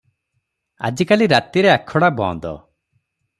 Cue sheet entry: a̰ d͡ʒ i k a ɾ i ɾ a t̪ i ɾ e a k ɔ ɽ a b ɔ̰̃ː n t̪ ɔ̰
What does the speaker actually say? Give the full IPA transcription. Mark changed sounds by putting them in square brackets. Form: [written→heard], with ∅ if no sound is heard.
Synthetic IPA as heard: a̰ d͡ʒ i k a [ɾ→l] i ɾ a t̪ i ɾ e a [k→kʰ] ɔ ɽ a b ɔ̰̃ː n [t̪→d̪] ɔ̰